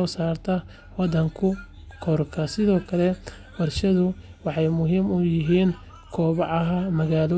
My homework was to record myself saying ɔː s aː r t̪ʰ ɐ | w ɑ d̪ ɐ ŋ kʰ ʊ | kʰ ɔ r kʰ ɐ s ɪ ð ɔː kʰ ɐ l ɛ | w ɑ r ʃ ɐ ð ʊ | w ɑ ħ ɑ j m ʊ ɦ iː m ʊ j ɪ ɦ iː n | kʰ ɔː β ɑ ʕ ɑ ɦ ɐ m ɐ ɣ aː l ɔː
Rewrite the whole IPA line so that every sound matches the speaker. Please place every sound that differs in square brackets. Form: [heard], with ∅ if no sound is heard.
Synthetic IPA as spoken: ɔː s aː r t̪ʰ ɐ | w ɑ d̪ ɐ ŋ kʰ ʊ | kʰ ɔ r kʰ ɐ s ɪ ð ɔː kʰ ɐ l ɛ | w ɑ r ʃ ɐ ð ʊ | w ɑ ħ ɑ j m ʊ ɦ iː m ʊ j ɪ ɦ iː n | kʰ ɔː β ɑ ʕ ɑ ɦ ɐ m ɐ ɣ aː l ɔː